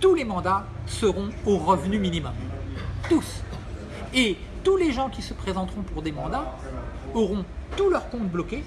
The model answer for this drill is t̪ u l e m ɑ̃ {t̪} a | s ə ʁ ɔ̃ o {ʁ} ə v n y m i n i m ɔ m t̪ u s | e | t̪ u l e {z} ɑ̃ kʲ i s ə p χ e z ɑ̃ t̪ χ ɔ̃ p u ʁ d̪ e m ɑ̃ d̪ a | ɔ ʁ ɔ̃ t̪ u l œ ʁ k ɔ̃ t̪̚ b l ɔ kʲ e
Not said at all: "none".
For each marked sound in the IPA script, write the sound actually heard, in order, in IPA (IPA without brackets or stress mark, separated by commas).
d̪, ʁ, ʒ